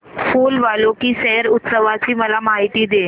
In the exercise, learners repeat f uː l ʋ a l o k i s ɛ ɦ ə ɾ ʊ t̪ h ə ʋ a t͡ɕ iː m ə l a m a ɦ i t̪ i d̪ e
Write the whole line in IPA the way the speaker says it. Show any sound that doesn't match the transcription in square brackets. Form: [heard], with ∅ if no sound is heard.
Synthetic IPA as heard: f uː l ʋ a l o k i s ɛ ɦ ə ɾ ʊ t̪ [s] ə ʋ a t͡ɕ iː m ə l a m a ɦ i t̪ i d̪ e